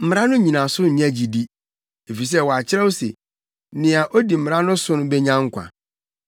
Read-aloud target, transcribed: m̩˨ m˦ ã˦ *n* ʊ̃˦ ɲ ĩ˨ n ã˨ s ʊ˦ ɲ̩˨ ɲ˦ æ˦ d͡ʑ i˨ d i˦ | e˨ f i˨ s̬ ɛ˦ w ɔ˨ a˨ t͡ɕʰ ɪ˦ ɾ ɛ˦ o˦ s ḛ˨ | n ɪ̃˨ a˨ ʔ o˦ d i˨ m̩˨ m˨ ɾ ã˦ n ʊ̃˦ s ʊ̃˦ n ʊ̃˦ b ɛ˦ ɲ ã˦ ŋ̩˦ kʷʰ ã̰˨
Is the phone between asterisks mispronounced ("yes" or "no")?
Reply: no